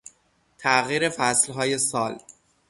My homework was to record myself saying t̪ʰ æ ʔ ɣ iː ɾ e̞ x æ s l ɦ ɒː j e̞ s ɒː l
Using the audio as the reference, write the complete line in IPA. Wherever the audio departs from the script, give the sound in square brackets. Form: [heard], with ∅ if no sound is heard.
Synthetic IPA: t̪ʰ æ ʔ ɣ iː ɾ e̞ [f] æ s l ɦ ɒː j e̞ s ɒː l